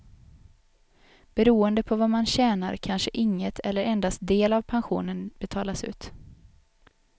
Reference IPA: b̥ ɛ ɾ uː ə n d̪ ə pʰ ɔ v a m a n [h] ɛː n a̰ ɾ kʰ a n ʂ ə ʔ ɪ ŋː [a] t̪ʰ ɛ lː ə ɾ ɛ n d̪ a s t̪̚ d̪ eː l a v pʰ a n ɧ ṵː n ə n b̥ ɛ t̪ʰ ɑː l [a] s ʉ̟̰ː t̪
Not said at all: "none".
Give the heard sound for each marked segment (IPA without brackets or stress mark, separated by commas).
ɕ, ə, a